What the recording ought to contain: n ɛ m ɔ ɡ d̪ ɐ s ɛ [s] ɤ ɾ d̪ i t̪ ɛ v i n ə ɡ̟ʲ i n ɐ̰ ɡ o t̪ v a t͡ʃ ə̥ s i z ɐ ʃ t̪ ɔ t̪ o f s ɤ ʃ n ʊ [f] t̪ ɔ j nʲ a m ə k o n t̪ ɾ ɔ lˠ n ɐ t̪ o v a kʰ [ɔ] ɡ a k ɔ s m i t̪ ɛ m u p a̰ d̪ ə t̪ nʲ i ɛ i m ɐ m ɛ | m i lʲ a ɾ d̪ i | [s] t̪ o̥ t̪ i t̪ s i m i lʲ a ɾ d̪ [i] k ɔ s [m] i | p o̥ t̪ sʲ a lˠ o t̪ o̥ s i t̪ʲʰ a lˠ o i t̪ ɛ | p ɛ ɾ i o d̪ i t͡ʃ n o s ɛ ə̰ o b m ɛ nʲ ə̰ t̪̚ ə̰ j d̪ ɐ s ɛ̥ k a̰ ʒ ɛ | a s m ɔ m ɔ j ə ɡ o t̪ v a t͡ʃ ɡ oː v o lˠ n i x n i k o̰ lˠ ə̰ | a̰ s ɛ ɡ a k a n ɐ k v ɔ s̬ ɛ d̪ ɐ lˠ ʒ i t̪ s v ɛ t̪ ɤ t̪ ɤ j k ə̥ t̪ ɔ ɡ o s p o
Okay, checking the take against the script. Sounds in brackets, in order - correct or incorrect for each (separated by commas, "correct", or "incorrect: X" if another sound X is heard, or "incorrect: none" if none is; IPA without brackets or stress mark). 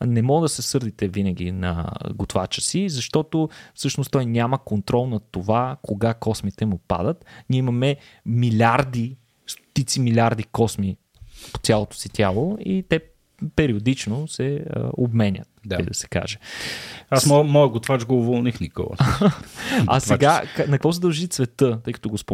correct, incorrect: s, incorrect: o, correct, correct, correct